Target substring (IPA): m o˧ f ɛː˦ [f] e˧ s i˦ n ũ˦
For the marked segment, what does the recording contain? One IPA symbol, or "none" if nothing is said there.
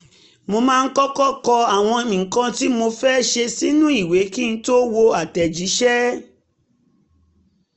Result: ʃ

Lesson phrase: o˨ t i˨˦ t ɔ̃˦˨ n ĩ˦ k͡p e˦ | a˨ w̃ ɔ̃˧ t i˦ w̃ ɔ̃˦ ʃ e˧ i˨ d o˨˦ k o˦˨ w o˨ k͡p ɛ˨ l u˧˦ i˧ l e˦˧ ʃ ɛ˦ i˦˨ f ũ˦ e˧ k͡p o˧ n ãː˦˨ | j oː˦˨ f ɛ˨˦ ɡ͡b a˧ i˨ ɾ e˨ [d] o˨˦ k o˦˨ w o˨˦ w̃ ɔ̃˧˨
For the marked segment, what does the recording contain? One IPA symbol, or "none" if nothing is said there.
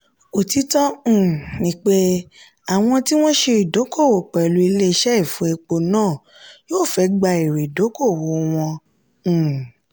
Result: d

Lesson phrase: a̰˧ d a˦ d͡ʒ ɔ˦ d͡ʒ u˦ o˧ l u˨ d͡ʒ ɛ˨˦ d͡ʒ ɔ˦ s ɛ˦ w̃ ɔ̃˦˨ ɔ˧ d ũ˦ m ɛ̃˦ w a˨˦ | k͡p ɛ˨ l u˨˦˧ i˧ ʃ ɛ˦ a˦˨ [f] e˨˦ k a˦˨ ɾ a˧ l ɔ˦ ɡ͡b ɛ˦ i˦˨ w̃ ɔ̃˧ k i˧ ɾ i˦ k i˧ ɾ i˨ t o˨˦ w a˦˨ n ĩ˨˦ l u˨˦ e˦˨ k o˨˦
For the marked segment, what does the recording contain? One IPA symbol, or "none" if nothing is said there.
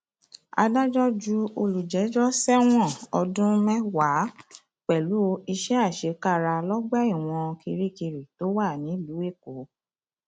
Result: ʃ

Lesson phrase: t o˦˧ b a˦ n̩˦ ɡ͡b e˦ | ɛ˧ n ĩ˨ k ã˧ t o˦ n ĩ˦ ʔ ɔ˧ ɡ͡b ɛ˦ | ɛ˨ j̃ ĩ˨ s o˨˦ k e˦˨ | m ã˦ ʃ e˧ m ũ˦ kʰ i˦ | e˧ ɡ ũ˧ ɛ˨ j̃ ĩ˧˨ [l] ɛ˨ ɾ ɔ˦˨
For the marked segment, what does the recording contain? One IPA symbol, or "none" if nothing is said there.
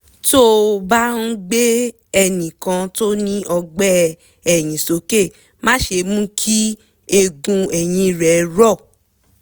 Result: ɾ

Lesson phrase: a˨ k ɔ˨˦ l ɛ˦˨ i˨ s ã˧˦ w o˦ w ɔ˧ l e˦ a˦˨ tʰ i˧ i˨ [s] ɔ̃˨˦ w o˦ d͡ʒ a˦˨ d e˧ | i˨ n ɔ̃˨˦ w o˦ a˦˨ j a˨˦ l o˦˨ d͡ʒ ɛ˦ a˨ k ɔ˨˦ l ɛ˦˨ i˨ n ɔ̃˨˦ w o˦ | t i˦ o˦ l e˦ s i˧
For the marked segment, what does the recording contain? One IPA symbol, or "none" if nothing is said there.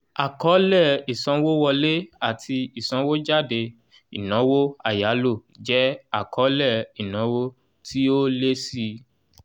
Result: s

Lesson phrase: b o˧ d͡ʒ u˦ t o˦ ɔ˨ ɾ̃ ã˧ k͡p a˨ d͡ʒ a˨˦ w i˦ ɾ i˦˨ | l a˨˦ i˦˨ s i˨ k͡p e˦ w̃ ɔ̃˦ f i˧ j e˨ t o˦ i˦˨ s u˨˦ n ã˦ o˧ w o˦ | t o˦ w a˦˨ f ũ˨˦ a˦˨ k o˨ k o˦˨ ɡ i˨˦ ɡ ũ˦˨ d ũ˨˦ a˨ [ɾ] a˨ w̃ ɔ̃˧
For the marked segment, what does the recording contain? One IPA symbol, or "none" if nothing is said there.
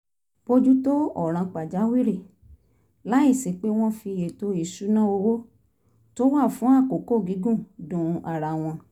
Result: ɾ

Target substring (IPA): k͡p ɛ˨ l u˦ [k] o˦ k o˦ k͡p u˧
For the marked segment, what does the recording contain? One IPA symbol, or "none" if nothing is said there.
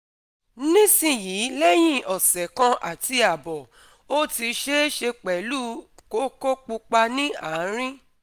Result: k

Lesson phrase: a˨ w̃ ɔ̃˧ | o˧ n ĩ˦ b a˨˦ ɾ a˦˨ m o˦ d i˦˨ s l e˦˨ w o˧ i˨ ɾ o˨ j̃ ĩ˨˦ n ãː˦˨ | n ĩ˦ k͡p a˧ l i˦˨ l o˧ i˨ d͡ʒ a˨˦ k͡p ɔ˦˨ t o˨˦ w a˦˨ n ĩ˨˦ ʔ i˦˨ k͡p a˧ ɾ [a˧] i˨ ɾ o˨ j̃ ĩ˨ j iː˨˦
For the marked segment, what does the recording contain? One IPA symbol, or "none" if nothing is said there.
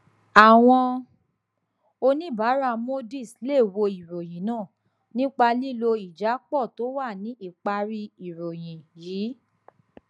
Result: i˧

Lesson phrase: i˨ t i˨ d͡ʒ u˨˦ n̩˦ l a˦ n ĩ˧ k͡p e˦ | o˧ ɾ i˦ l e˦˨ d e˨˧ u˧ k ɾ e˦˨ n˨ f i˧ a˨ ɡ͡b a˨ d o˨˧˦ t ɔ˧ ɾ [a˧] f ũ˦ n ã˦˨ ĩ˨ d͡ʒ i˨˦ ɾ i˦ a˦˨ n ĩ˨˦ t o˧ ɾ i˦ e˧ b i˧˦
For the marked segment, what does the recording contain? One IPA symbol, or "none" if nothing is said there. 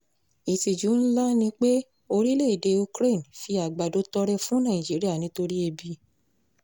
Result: ɛ˧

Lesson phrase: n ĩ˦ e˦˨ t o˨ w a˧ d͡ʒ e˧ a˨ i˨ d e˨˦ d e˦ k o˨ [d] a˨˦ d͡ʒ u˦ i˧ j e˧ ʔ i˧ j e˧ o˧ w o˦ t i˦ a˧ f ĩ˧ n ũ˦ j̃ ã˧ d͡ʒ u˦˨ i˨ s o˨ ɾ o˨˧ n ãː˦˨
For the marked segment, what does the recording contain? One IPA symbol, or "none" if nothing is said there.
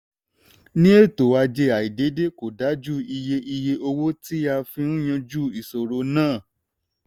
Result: d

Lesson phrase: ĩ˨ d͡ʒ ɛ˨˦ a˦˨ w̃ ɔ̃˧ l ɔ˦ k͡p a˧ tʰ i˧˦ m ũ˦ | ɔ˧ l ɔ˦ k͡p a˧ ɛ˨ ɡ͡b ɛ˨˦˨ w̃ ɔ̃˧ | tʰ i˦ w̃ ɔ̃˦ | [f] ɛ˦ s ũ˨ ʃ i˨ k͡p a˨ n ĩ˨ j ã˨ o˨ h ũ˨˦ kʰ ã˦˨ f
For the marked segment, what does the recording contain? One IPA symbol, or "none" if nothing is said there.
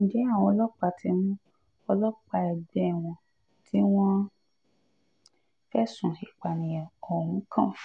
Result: f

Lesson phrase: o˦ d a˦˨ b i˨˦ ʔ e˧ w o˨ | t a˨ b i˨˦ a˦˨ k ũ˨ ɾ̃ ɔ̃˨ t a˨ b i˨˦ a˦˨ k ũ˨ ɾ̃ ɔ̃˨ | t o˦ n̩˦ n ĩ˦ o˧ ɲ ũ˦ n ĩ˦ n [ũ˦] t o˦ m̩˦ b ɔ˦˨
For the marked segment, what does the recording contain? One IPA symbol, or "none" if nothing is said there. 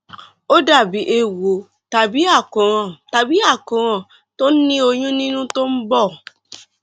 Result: ũ˦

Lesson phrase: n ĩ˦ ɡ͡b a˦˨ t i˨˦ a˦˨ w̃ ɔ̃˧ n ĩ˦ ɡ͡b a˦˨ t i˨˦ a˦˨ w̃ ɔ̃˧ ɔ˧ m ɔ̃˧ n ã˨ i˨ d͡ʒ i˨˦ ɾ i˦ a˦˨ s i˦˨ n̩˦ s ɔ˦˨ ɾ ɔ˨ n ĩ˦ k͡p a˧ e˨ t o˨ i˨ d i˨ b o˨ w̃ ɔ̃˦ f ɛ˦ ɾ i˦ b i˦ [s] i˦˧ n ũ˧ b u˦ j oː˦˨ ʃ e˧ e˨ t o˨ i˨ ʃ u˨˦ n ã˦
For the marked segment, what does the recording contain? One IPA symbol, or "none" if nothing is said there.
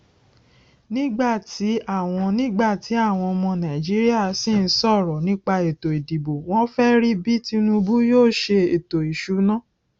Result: t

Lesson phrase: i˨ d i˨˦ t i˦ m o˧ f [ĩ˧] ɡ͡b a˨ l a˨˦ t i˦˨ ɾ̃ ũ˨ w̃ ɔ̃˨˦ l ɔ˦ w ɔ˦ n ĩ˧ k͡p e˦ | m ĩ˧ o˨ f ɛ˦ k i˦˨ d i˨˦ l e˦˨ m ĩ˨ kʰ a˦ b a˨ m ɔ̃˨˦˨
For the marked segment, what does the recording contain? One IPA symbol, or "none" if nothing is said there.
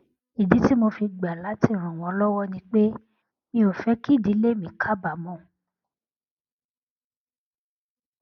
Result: i˧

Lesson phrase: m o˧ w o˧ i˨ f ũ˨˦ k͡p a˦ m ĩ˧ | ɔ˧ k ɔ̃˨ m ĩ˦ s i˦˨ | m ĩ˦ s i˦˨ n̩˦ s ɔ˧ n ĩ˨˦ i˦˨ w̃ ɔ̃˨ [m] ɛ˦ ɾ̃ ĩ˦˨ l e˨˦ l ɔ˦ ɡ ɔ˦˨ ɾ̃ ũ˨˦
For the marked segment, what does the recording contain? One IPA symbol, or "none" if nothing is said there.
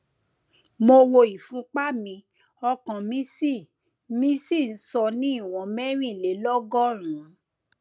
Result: m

